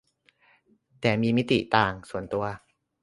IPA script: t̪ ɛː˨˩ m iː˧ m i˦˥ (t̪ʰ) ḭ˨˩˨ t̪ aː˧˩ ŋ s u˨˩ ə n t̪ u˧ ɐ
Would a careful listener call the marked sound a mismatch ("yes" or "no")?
yes